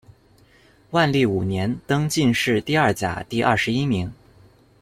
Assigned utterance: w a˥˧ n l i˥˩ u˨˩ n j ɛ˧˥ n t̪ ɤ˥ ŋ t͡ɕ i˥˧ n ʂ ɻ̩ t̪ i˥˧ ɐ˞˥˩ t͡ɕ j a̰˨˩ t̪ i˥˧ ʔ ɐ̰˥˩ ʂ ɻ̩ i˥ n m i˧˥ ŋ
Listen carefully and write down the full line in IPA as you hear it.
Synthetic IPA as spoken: w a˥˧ n l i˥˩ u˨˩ n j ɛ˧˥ n t̪ ɤ˥ ŋ t͡ɕ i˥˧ n ʂ ɻ̩ t̪ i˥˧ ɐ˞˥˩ t͡ɕ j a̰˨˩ t̪ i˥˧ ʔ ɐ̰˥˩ ʂ ɻ̩ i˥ m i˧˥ ŋ